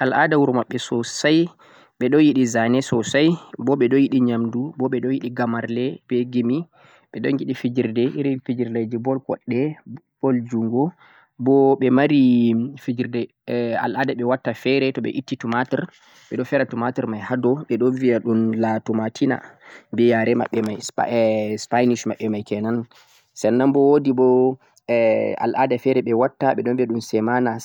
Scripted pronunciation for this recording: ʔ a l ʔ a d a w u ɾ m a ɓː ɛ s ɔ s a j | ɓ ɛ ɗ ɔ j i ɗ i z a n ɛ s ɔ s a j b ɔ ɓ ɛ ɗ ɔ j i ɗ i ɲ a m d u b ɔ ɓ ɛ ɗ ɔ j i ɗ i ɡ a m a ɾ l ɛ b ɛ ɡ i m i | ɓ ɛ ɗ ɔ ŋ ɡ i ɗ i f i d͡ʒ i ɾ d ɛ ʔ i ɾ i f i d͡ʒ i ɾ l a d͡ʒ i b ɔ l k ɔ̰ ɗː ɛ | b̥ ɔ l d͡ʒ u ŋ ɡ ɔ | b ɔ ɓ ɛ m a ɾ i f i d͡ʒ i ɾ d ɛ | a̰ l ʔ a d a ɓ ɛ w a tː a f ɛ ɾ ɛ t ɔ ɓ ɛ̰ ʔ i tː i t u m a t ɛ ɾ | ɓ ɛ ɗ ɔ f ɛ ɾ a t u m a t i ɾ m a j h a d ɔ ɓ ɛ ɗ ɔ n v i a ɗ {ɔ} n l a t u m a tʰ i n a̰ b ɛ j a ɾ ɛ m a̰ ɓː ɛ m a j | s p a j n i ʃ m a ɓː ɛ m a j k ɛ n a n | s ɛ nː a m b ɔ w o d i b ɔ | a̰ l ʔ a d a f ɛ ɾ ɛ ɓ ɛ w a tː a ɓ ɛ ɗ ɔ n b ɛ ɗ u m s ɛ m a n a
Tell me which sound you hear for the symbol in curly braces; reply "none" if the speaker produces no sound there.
u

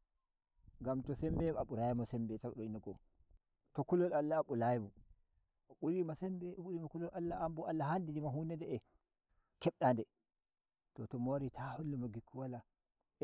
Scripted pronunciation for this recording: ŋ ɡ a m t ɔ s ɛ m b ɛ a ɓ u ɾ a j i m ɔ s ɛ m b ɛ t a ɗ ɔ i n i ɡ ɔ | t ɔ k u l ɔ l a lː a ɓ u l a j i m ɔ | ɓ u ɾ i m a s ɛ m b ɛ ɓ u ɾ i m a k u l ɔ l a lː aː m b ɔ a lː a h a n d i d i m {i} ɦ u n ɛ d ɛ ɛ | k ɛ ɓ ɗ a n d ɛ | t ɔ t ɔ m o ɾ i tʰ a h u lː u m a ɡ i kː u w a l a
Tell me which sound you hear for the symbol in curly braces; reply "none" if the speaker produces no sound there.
a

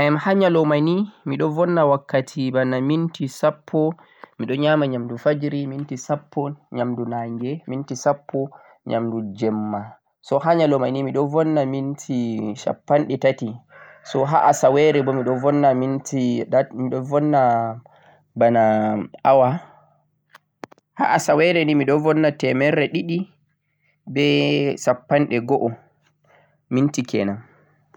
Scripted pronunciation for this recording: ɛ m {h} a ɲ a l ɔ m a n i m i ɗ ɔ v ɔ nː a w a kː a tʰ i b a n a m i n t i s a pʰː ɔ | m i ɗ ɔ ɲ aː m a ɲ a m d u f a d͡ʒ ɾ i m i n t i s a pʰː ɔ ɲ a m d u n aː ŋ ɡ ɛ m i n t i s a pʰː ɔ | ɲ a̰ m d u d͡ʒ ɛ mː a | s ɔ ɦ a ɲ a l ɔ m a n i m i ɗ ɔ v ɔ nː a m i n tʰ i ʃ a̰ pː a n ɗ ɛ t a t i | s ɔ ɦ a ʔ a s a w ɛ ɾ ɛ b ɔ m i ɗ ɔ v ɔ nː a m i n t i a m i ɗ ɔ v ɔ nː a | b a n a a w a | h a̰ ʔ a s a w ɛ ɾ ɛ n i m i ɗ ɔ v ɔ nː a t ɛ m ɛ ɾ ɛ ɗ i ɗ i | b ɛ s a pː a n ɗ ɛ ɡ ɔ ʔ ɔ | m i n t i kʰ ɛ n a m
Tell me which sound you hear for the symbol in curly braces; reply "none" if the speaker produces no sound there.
h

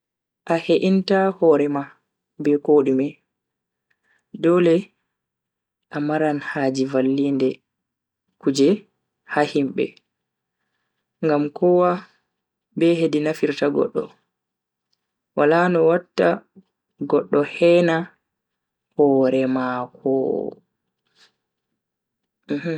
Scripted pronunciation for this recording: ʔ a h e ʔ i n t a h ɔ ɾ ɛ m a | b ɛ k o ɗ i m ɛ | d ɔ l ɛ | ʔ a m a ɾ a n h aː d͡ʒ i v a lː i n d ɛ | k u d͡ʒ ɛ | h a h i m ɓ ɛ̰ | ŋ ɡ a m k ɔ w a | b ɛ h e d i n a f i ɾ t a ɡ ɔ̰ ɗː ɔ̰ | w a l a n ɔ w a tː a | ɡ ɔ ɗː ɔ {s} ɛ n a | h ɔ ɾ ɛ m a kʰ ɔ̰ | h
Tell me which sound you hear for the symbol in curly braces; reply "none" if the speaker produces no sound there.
h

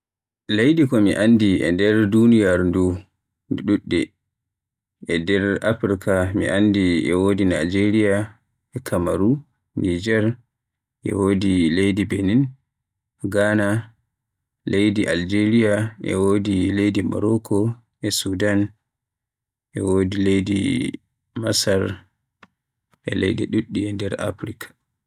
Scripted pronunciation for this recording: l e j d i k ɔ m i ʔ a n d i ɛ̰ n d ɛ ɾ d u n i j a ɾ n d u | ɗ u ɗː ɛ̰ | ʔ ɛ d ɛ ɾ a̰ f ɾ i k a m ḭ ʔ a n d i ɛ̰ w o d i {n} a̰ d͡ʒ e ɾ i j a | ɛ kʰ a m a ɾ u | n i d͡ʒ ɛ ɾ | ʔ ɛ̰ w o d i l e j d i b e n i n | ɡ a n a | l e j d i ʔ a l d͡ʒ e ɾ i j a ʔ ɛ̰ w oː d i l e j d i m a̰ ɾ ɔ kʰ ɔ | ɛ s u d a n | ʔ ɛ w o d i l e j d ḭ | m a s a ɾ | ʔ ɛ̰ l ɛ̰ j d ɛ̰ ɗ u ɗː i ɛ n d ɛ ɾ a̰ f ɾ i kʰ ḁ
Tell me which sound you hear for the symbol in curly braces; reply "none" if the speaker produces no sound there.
n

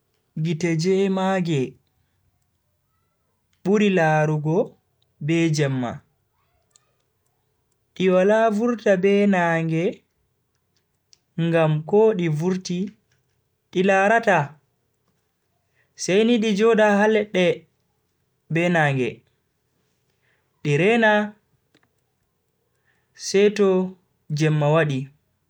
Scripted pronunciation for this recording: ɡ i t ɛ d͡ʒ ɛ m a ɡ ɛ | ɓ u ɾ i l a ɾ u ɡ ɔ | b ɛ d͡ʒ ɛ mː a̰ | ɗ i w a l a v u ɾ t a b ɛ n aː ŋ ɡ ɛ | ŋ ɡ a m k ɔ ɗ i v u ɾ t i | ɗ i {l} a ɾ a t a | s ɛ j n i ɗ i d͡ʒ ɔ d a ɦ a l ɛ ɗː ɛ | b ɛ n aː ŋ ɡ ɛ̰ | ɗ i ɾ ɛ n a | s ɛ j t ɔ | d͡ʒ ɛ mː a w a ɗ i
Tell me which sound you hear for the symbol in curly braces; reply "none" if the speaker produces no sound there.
l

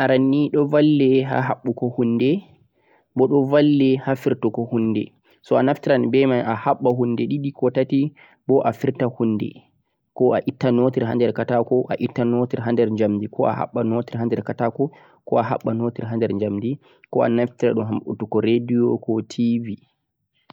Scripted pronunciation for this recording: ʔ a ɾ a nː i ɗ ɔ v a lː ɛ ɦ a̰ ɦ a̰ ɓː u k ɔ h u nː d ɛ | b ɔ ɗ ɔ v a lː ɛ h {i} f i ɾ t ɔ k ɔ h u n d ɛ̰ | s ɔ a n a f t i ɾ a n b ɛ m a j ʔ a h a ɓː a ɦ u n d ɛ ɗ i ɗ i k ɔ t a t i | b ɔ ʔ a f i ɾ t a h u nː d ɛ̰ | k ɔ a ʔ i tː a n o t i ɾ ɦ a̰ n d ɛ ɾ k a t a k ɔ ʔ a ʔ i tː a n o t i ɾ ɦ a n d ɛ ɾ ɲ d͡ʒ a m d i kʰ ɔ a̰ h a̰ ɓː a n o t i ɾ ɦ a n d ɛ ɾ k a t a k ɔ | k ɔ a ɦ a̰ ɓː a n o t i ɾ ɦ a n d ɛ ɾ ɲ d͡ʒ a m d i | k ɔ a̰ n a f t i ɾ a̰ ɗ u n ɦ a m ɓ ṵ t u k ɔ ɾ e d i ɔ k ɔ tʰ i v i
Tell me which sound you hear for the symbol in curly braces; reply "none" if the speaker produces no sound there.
a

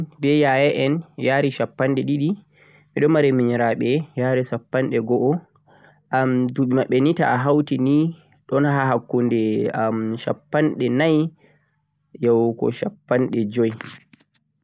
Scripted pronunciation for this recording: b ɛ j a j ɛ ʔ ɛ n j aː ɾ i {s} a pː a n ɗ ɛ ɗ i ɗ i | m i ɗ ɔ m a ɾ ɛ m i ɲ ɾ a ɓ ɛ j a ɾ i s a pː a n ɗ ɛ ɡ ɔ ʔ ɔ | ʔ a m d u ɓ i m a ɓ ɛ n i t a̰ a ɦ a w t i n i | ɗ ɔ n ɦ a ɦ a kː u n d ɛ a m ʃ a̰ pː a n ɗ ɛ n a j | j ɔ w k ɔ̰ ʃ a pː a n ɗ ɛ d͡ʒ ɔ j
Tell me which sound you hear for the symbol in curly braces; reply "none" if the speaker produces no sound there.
ʃ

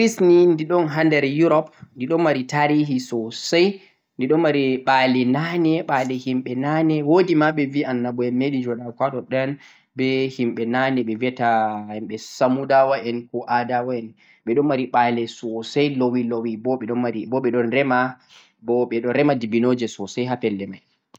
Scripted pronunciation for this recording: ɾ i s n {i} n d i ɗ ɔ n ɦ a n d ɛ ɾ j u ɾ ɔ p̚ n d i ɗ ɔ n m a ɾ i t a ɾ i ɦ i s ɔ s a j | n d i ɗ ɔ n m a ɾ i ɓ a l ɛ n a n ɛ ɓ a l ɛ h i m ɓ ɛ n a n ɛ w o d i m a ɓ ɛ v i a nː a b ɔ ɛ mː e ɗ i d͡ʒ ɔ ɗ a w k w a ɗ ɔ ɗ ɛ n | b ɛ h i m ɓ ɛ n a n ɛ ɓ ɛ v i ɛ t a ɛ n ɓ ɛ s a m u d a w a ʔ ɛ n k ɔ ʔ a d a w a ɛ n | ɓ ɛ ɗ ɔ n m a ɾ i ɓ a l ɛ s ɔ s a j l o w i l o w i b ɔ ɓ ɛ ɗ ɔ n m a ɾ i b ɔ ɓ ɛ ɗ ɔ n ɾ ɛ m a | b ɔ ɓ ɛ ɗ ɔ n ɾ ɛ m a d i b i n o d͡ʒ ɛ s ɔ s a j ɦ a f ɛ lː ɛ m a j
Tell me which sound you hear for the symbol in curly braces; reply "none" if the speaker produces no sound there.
i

